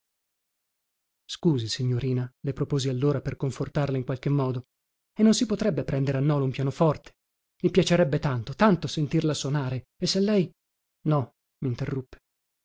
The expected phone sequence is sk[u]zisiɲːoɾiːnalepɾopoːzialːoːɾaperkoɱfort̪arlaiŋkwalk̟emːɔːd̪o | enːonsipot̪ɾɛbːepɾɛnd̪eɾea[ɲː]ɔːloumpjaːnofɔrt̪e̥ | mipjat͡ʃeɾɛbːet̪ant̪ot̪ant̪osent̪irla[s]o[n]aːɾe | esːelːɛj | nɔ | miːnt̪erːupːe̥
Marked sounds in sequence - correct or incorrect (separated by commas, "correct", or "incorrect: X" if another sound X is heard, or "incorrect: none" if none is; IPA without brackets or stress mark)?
incorrect: uː, incorrect: nː, correct, correct